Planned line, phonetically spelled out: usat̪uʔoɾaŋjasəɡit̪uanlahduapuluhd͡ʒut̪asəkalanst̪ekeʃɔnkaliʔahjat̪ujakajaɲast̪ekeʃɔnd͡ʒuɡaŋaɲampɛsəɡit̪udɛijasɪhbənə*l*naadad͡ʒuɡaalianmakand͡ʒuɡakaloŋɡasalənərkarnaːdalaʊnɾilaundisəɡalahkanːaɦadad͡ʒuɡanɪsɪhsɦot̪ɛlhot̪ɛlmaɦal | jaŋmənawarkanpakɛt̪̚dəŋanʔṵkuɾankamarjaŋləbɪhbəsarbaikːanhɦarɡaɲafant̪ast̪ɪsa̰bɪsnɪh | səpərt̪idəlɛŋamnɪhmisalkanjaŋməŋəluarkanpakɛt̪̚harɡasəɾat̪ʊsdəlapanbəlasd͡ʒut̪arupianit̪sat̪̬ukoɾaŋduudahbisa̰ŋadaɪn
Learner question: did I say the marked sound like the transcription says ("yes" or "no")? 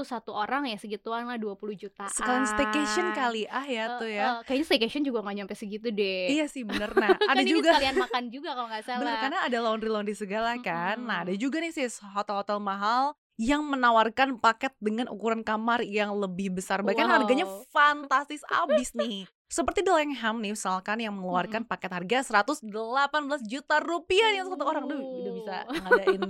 no